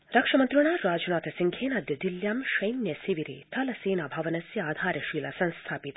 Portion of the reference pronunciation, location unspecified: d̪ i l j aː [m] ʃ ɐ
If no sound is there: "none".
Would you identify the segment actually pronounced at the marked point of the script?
m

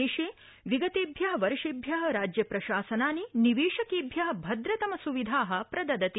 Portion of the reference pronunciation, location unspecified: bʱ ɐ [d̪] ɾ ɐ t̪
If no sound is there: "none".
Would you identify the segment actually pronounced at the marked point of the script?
d̪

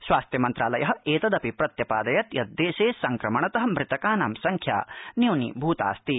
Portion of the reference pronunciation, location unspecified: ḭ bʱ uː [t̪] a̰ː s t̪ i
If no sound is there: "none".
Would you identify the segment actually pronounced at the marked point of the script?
t̪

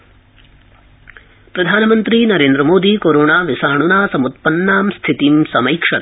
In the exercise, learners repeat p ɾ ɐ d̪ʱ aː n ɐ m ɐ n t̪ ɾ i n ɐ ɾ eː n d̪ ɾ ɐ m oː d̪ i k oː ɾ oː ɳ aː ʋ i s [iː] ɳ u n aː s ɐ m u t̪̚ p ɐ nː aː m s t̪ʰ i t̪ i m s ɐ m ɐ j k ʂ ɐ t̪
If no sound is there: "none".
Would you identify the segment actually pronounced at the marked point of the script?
aː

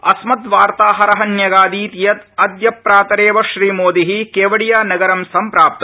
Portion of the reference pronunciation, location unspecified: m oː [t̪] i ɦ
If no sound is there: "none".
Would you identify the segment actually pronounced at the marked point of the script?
d̪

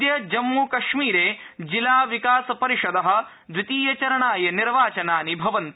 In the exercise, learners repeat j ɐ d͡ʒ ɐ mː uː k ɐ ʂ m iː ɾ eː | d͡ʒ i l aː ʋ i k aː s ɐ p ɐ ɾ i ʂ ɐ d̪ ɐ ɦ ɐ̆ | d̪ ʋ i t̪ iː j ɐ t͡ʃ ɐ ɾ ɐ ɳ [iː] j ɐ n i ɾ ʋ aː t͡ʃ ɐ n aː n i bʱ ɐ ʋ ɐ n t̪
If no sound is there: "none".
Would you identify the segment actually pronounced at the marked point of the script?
aː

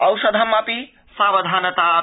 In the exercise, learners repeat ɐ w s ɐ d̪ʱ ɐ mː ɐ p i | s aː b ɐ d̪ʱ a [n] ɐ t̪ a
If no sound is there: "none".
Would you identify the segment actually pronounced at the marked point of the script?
n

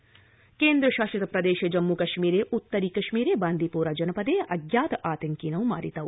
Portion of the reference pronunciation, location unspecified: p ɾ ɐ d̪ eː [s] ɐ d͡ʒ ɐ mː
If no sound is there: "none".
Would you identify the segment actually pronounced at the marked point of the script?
ʃ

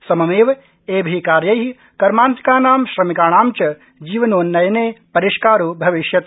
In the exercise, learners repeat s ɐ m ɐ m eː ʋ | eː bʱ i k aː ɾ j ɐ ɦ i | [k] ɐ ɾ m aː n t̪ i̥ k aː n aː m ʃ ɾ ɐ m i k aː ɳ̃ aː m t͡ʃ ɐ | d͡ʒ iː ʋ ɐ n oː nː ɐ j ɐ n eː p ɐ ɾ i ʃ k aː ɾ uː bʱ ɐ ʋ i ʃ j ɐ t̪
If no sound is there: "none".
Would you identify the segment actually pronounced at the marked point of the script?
k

